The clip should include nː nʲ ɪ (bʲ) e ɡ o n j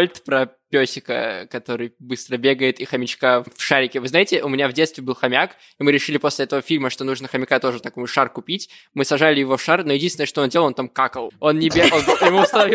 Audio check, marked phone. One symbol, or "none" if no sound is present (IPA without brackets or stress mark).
bʲ